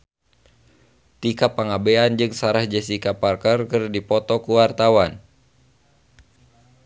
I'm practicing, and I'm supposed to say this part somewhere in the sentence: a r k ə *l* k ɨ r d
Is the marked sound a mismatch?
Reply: yes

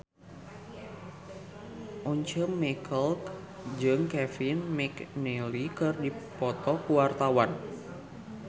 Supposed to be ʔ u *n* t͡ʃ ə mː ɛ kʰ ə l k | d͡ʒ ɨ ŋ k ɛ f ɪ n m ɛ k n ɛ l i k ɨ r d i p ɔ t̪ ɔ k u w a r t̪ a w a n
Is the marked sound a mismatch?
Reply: yes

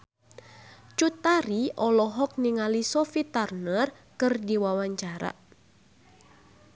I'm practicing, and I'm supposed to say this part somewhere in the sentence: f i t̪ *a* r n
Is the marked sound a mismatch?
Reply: no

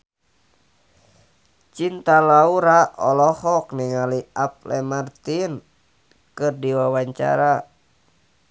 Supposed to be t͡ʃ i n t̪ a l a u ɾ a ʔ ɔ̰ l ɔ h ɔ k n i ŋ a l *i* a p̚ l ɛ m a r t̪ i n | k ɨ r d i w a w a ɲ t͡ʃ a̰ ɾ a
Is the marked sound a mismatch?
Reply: no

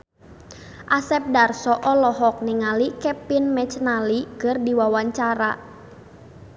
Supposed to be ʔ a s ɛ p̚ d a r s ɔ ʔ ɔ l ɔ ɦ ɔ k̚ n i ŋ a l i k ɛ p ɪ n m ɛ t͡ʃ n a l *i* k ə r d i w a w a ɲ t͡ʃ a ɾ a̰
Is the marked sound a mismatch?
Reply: no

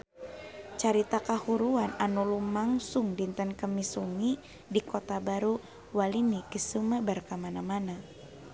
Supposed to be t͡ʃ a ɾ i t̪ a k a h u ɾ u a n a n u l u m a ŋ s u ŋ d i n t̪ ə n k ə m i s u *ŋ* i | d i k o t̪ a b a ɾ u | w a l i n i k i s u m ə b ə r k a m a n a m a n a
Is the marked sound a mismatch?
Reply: no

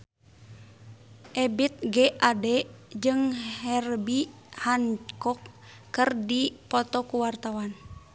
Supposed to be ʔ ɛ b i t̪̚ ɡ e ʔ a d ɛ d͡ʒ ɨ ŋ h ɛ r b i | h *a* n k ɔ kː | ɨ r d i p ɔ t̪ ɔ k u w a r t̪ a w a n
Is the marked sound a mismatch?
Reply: no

